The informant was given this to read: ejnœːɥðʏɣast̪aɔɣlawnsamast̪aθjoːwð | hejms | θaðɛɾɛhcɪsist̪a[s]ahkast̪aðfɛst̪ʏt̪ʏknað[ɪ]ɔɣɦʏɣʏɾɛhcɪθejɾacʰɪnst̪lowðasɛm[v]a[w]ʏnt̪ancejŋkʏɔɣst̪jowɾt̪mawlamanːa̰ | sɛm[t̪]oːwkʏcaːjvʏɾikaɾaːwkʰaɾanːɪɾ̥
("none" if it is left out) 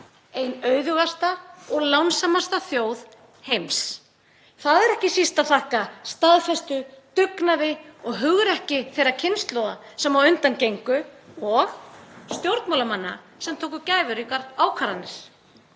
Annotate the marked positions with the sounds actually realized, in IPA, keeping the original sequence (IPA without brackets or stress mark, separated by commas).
θ, ɪ, v, w, t̪ʰ